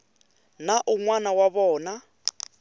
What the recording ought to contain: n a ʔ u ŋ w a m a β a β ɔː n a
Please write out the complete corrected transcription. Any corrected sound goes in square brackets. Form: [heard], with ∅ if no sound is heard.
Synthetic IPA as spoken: n a ʔ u ŋ w a [n] a [w] a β ɔː n a